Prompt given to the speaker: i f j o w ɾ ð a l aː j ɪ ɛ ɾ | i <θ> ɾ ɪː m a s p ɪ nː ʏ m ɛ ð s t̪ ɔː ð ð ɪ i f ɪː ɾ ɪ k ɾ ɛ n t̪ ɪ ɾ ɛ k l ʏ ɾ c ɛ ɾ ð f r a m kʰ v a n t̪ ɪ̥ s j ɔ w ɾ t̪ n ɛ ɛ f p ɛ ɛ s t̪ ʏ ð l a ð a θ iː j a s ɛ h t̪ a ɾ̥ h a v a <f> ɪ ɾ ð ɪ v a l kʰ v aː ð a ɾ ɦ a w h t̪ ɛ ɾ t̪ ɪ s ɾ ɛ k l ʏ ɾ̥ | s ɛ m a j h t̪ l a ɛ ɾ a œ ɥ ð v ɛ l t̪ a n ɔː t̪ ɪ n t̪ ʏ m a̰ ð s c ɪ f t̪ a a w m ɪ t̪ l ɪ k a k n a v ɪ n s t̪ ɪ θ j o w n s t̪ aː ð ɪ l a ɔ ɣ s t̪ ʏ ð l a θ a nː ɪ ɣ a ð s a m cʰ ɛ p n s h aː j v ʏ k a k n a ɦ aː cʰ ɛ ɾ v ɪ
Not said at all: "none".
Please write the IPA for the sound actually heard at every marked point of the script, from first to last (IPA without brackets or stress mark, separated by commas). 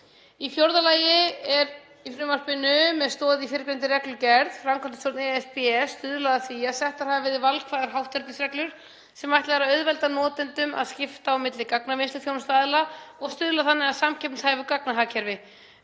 f, v